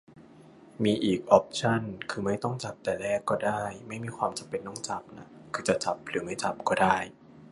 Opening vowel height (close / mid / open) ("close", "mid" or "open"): close